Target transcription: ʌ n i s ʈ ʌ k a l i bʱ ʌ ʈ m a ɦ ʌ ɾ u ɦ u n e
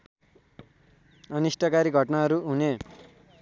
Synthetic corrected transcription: ʌ n i s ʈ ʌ k a ɾ i ɡʱ ʌ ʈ n a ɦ ʌ ɾ u ɦ u n e

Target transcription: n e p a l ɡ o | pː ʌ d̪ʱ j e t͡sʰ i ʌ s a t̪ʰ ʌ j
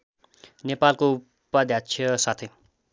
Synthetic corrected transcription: n e p a l k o | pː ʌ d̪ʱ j a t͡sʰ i ʌ s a t̪ʰ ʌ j

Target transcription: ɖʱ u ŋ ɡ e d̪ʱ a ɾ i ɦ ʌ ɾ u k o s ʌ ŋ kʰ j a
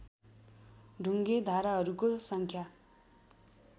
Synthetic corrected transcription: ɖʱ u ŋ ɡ e d̪ʱ a ɾ a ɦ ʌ ɾ u k o s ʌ ŋ kʰ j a

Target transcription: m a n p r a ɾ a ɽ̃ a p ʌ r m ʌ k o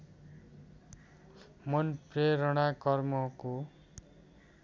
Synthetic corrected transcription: m ʌ n p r e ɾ ʌ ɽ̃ a k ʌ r m ʌ k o

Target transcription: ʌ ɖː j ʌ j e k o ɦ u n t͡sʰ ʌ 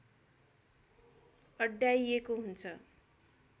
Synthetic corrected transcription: ʌ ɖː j a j e k o ɦ u n t͡sʰ ʌ

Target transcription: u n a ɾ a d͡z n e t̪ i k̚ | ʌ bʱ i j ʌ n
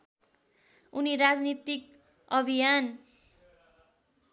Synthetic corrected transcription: u n i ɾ a d͡z n i t̪ i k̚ | ʌ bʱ i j a n

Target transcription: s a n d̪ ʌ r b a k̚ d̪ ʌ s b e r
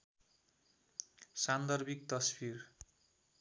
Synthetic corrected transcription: s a n d̪ ʌ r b i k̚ t̪ ʌ s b i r

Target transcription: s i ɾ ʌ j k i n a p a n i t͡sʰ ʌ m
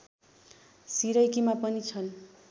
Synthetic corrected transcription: s i ɾ ʌ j k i m a p ʌ n i t͡sʰ ʌ n

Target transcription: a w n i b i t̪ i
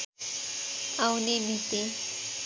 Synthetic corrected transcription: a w n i m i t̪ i

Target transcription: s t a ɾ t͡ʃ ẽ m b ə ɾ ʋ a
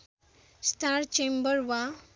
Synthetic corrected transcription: s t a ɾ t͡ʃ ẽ m b ə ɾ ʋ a

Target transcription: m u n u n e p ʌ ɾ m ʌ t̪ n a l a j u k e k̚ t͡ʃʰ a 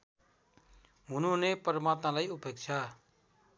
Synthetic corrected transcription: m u n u n e p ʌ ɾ m a t̪ n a l a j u p e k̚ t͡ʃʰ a

